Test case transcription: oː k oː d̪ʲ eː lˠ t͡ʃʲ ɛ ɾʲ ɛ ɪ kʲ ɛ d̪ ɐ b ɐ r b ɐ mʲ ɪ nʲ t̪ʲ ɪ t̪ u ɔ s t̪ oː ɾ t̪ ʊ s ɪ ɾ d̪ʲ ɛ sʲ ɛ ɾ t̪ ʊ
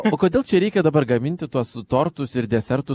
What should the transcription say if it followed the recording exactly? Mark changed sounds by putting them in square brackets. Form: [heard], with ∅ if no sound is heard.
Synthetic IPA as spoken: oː k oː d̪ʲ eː lˠ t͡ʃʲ ɛ ɾʲ ɛ ɪ kʲ ɛ d̪ ɐ b ɐ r [ɡ] ɐ mʲ ɪ nʲ t̪ʲ ɪ t̪ u ɔ s t̪ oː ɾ t̪ ʊ s ɪ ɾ d̪ʲ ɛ sʲ ɛ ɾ t̪ ʊ